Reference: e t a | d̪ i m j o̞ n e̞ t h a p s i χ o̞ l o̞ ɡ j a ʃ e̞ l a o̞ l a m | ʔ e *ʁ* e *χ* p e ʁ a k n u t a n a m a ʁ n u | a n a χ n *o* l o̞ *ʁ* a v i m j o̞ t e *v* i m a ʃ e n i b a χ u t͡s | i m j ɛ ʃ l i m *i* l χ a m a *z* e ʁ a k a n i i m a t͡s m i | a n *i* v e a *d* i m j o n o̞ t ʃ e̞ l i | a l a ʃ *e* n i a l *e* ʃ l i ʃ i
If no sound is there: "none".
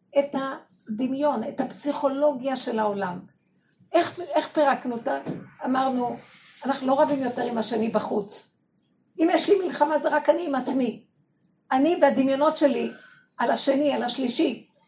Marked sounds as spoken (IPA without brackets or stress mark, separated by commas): χ, χ, u, ʁ, ʁ, i, z, i, d, e, a